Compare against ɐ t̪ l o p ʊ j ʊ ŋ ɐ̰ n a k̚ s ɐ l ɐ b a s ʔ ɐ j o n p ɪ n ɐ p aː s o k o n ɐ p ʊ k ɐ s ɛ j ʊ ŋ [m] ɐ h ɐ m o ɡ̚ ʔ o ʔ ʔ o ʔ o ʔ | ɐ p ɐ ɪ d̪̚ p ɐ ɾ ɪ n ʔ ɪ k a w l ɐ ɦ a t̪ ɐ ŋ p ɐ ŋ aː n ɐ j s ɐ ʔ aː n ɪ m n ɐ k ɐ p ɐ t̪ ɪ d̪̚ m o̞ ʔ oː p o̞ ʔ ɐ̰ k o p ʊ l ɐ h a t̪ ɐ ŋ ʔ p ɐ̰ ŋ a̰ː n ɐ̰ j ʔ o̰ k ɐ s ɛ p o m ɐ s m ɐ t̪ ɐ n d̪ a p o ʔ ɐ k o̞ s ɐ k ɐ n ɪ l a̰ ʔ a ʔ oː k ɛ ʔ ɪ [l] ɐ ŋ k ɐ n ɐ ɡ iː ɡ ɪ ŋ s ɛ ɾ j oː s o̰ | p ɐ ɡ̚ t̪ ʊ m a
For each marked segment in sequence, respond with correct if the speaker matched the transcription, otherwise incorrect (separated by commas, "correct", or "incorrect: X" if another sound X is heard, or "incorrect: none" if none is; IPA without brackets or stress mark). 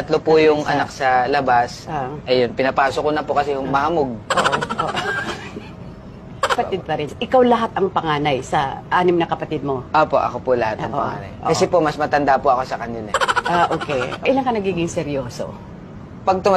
correct, correct